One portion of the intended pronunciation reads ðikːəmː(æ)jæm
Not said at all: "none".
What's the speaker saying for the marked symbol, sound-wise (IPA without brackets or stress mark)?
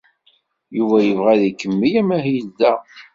i